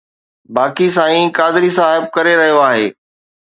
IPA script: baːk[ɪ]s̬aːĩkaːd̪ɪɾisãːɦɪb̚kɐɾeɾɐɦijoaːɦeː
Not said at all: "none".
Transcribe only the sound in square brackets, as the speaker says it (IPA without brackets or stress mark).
i